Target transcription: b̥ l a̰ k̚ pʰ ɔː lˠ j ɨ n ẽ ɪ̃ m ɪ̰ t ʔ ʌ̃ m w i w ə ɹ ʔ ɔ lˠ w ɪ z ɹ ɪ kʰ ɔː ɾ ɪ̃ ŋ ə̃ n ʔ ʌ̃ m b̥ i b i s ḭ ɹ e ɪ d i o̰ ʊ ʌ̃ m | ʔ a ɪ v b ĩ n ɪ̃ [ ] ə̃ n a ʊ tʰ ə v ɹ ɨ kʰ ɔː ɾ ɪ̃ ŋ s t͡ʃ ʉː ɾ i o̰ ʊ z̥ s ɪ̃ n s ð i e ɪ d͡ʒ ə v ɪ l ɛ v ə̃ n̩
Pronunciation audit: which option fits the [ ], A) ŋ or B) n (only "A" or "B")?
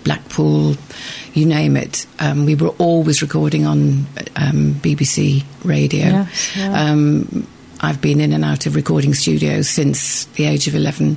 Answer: B